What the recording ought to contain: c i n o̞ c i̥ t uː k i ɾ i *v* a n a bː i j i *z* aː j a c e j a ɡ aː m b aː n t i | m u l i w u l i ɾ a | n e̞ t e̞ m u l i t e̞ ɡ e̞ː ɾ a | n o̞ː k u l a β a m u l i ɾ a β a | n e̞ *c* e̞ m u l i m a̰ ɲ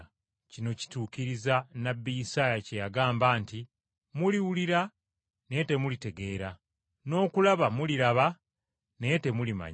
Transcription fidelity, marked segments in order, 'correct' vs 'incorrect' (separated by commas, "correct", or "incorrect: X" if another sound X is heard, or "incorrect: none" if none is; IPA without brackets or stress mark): incorrect: z, incorrect: s, incorrect: t